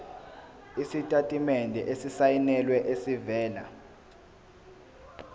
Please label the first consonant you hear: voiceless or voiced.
voiceless